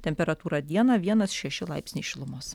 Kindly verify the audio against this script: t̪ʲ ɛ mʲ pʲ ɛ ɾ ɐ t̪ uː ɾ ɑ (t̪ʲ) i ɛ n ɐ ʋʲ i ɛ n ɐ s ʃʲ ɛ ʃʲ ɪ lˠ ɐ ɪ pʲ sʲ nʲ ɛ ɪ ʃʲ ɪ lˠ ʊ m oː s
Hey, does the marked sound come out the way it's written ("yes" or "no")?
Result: no